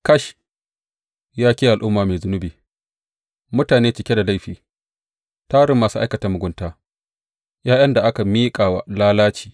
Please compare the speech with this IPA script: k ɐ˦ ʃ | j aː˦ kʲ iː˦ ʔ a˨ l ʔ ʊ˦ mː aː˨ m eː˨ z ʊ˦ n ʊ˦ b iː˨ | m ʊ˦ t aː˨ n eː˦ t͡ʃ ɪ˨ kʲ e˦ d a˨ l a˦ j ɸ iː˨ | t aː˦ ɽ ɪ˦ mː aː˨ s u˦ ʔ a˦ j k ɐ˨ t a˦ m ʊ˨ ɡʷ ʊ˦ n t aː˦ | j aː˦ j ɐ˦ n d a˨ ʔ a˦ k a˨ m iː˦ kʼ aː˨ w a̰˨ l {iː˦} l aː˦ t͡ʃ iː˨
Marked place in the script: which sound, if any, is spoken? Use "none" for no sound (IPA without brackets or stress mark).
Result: aː˦